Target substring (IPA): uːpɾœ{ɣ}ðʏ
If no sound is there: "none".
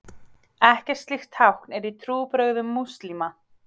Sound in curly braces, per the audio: ɣ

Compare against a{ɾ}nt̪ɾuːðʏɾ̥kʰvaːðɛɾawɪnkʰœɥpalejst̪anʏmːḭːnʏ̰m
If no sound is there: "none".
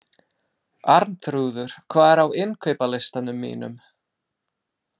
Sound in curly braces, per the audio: ɾ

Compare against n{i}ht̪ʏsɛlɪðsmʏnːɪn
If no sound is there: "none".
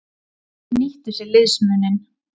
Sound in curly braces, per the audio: i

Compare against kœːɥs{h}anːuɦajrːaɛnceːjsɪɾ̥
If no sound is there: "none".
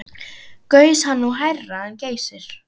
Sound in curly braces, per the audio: h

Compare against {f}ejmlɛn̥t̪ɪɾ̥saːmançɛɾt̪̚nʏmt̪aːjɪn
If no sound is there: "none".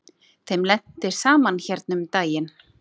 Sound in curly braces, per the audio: θ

